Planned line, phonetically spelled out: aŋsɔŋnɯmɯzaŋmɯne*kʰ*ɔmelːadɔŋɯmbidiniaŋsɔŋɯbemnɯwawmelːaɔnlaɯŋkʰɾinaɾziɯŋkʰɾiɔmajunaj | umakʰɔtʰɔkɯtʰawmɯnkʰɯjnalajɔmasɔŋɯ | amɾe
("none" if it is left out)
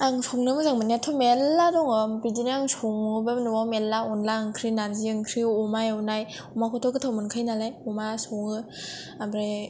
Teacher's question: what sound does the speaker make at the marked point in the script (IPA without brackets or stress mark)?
tʰ